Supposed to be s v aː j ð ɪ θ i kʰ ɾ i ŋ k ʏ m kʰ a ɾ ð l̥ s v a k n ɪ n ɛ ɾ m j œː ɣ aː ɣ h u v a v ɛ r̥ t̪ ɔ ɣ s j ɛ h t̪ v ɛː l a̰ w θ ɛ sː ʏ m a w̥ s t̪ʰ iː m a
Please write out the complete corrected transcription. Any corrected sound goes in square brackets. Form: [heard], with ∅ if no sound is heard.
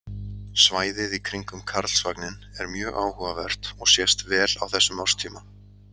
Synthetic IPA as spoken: s v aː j ð ɪ [ð] i kʰ ɾ i ŋ k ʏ m kʰ a ɾ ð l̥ s v a k n ɪ n ɛ ɾ m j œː ɣ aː [w] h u v a v ɛ r̥ t̪ ɔ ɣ s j ɛ [s] t̪ v ɛː l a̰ w θ ɛ sː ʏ m a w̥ s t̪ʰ iː m a